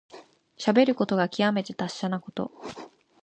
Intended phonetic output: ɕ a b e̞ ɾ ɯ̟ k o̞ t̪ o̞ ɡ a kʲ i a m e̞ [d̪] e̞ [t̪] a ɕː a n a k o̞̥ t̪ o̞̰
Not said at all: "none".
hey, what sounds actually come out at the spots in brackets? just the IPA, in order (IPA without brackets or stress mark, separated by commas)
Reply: t̪, t̪